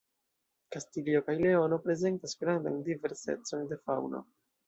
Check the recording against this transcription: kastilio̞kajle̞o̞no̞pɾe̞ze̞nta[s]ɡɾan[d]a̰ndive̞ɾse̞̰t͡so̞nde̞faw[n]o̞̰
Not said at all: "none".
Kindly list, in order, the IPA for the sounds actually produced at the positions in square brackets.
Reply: s, d, n

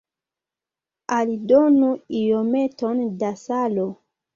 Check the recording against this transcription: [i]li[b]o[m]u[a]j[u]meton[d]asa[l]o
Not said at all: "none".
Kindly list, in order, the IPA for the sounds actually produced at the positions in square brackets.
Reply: a, d, n, i, o, d, l

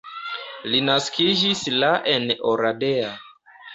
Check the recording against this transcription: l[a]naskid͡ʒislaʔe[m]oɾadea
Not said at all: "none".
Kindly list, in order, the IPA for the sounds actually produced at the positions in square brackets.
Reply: i, n

